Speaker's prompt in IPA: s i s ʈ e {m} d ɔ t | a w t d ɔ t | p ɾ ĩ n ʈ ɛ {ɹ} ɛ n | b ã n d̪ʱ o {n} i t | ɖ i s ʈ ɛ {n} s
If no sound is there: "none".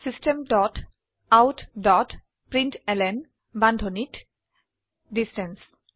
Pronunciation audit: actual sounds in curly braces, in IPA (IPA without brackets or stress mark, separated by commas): m, l, n, n